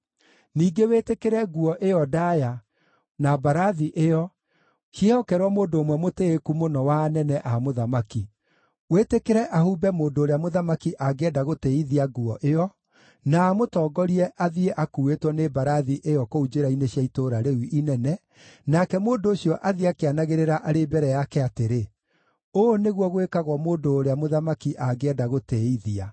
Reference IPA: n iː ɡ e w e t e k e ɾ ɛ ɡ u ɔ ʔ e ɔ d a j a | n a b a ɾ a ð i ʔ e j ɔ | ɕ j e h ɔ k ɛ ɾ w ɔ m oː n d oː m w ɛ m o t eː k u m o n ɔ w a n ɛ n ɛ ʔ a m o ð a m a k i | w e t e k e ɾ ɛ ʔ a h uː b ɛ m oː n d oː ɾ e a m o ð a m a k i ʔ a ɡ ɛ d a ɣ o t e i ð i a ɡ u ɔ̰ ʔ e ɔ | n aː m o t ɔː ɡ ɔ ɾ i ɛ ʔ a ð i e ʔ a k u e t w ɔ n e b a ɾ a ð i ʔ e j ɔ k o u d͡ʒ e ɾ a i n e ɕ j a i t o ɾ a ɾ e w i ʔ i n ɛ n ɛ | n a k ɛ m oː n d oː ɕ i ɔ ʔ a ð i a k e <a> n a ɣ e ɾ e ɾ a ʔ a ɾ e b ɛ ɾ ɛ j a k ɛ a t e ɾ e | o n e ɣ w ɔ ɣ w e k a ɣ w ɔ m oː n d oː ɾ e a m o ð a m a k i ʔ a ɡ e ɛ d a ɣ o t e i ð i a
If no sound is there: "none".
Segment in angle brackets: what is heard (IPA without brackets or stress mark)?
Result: a